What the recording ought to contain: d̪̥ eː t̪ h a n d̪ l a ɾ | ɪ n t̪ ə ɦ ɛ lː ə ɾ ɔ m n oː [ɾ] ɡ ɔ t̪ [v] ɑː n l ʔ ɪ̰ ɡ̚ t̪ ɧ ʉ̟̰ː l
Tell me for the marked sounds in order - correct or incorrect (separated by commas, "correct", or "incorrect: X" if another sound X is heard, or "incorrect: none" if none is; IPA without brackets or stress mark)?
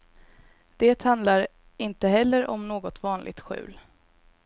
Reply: incorrect: none, correct